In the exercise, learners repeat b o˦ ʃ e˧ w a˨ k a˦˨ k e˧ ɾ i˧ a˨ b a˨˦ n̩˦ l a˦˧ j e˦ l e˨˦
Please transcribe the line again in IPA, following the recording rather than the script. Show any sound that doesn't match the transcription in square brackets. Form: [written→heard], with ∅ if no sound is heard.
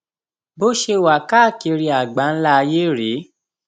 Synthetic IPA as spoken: b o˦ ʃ e˧ w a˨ k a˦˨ k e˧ ɾ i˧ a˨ [b→ɡ͡b] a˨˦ n̩˦ l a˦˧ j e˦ [l→ɾ] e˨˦